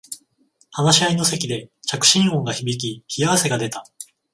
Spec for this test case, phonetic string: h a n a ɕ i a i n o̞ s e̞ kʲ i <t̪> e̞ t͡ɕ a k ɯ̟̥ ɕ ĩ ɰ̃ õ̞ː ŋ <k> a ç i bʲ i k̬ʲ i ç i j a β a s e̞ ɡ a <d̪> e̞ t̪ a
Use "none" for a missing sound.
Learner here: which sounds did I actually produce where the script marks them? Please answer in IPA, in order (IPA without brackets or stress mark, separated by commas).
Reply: d̪, ɡ, d̪